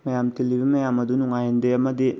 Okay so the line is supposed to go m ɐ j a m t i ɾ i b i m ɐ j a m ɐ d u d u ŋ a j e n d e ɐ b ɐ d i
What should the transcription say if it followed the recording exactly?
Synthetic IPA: m ɐ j a m t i l i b i m ɐ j a m ɐ d u n u ŋ a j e n d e ɐ m ɐ d i

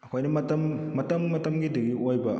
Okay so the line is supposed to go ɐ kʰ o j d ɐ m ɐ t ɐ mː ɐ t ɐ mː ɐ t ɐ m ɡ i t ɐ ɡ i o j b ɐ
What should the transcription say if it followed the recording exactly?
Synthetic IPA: ɐ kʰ o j n ɐ m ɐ t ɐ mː ɐ t ɐ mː ɐ t ɐ m ɡ i d ɐ ɡ i o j b ɐ

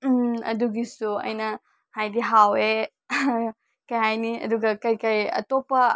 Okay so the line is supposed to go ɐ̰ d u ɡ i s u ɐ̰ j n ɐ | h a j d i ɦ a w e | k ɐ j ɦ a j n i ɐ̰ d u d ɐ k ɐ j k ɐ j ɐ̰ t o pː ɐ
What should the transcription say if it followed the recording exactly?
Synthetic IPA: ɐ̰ d u ɡ i s u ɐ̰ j n ɐ | h a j d i ɦ a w e | k ɐ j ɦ a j n i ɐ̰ d u ɡ ɐ k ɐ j k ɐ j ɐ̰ t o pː ɐ

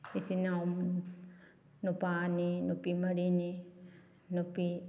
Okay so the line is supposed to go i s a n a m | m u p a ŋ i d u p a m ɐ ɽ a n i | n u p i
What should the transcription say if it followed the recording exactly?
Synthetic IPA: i s i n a m | n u p a n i n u p i m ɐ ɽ i n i | n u p i

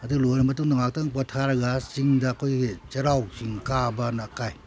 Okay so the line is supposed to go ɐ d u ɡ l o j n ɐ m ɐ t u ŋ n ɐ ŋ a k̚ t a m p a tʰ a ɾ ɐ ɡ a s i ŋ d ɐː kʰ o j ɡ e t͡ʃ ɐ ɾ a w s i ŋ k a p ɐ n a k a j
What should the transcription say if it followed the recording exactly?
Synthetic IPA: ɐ d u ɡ l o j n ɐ m ɐ t u ŋ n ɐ ŋ a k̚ t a ŋ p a tʰ a ɾ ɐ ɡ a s i ŋ d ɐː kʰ o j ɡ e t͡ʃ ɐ ɾ a w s i ŋ k a b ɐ n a k a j

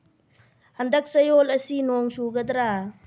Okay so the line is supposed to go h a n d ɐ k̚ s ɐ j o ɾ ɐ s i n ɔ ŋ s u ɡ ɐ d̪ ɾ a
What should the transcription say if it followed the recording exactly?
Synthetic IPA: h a n d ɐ k̚ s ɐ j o l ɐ s i n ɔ ŋ s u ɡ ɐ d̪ ɾ a

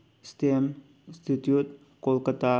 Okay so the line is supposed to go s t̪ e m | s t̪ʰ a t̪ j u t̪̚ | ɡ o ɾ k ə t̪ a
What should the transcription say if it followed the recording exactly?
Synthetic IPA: s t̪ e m | s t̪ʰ i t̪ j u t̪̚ | k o l k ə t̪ a

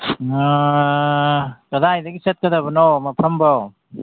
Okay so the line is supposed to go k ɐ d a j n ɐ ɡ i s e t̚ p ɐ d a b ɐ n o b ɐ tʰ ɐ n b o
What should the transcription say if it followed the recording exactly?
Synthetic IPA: k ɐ d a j d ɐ ɡ i s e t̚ k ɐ d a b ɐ n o m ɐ pʰ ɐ m b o

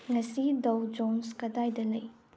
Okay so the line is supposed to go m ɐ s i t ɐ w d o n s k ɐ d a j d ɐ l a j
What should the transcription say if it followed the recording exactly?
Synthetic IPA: ŋ ɐ s i d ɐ w d͡ʒ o n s k ɐ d a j d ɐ l ɐ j

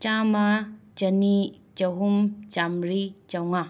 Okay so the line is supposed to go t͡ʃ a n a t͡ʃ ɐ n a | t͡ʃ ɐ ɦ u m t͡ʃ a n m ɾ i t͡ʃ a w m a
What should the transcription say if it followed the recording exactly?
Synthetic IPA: t͡ʃ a m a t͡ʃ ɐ n i | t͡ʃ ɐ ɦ u m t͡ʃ a m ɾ i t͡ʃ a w ŋ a

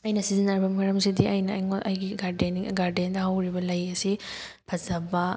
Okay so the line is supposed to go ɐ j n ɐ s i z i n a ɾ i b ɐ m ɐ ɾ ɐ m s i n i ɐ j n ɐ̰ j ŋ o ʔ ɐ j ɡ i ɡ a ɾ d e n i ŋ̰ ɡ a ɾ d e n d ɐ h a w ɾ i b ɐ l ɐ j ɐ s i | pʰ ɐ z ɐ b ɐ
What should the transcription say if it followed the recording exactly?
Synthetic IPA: ɐ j n ɐ s i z i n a ɾ i b ɐ m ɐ ɾ ɐ m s i d i ɐ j n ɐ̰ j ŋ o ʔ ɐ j ɡ i ɡ a ɾ d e n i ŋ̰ ɡ a ɾ d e n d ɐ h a w ɾ i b ɐ l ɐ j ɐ s i | pʰ ɐ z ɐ b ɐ

